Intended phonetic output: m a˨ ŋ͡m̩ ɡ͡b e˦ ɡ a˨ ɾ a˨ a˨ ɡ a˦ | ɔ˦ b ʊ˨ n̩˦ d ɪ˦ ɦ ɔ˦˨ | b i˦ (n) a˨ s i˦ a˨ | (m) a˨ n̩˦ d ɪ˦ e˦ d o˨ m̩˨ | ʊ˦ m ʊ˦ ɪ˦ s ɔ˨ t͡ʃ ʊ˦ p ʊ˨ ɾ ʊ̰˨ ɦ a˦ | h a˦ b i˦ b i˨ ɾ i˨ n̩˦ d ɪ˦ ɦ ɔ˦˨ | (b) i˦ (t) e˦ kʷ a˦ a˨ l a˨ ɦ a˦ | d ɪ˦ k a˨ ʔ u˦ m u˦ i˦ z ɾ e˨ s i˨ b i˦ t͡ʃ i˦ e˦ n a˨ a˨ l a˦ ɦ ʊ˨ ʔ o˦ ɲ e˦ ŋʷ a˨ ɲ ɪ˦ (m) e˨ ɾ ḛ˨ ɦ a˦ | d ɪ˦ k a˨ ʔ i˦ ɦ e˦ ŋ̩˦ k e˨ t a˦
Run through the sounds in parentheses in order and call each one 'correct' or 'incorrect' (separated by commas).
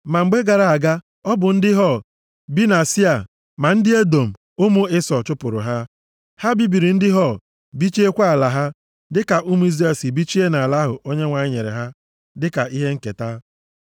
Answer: correct, correct, correct, incorrect, incorrect